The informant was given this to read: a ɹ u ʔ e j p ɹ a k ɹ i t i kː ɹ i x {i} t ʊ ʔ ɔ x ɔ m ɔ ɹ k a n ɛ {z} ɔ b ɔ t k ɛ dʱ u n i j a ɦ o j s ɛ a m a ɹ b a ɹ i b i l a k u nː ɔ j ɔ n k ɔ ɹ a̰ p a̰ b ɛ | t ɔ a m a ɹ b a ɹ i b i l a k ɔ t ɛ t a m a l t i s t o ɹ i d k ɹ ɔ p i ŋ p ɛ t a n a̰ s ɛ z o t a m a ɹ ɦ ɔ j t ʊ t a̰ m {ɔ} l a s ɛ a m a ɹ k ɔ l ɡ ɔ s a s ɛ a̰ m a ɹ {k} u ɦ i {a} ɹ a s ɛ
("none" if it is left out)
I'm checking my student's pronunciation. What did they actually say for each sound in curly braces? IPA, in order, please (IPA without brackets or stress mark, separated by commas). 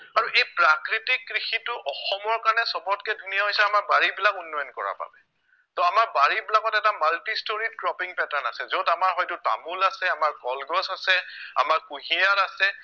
i, s, u, k, a